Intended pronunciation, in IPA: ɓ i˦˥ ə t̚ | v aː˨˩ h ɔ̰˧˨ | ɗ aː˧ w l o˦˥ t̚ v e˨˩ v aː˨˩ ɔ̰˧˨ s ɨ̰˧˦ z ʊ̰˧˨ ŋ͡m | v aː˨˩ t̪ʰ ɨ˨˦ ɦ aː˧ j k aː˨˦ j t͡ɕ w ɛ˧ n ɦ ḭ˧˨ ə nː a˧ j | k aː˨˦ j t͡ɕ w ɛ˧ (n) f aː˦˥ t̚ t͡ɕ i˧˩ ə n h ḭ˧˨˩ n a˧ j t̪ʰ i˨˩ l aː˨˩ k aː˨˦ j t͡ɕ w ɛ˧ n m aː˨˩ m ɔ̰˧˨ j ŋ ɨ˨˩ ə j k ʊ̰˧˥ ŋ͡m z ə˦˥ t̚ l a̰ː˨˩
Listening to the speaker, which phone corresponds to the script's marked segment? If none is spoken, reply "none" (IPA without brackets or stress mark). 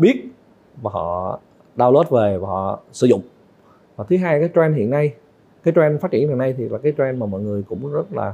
n